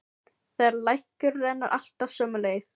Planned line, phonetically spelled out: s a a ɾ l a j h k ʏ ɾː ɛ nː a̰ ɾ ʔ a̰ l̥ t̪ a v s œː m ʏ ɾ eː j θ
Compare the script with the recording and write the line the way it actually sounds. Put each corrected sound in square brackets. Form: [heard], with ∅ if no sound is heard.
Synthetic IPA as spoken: [θ] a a ɾ l a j h k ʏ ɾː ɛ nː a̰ ɾ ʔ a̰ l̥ t̪ a v s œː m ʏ [l] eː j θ